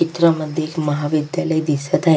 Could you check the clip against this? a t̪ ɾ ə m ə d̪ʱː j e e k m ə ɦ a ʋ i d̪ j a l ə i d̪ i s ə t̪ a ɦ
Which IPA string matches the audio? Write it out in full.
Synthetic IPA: i t̪ ɾ ə m ə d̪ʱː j e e k m ə ɦ a ʋ i d̪ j a l ə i d̪ i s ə t̪ a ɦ